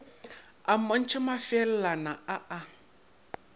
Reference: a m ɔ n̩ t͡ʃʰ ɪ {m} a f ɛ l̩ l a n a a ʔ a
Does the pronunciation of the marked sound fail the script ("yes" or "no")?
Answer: no